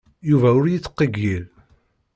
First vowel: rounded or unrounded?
rounded